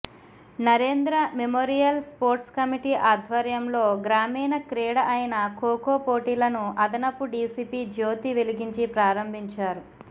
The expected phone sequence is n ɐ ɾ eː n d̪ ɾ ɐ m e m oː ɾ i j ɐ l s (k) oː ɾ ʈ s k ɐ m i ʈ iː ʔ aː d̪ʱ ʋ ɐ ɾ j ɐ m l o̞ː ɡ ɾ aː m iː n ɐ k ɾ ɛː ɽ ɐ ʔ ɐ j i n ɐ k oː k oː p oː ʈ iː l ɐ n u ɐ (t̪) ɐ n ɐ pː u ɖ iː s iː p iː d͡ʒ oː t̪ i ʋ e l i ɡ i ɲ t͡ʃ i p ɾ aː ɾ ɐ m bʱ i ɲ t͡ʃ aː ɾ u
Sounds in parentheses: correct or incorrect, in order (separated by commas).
incorrect, incorrect